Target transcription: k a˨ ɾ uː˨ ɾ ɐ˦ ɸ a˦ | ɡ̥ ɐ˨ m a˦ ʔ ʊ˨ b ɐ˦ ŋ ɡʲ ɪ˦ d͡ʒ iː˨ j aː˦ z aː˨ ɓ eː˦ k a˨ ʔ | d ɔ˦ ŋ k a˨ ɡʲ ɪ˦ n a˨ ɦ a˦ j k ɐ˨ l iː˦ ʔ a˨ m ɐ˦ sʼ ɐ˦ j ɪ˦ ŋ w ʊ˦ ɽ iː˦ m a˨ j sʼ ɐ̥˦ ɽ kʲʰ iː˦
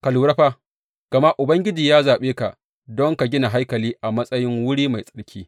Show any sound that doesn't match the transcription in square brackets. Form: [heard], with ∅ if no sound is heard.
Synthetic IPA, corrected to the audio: k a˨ [l] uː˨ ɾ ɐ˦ ɸ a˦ | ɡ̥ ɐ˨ m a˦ ʔ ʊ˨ b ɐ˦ ŋ ɡʲ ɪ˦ d͡ʒ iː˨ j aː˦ z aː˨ ɓ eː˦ k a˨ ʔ | d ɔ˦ ŋ k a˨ ɡʲ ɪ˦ n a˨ ɦ a˦ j k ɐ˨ l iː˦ ʔ a˨ m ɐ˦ sʼ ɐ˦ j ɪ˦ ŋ w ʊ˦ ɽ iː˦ m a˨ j sʼ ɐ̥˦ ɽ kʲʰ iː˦